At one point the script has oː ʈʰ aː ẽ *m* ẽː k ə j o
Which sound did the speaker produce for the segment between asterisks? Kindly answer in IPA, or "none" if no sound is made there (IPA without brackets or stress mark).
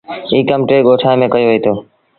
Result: m